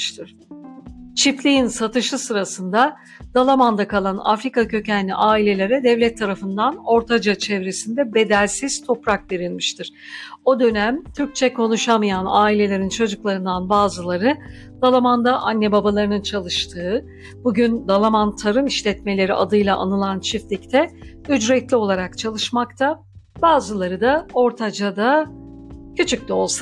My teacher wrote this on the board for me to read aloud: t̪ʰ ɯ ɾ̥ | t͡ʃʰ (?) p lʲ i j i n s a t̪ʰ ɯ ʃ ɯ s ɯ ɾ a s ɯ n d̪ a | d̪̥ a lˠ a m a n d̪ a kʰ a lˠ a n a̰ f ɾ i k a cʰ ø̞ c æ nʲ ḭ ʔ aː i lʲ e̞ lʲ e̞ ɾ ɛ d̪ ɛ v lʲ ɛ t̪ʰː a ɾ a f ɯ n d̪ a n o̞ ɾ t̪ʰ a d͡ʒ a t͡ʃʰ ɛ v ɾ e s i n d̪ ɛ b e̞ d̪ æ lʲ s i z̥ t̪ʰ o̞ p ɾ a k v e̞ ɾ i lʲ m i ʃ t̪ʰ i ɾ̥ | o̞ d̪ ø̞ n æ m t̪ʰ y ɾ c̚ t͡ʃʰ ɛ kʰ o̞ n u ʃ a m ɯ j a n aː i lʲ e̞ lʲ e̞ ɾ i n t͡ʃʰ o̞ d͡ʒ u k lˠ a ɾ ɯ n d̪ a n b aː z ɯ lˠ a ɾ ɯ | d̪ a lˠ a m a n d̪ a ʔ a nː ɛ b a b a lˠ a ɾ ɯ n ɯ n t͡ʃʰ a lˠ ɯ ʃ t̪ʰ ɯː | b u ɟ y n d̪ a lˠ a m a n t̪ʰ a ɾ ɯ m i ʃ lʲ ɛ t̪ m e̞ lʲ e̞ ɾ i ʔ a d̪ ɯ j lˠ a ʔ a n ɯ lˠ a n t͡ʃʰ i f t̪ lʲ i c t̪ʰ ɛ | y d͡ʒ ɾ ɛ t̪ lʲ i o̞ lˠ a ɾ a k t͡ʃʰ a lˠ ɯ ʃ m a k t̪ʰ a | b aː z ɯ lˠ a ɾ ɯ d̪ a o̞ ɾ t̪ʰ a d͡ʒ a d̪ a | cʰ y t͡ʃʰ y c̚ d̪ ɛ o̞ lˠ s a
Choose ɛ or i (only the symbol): i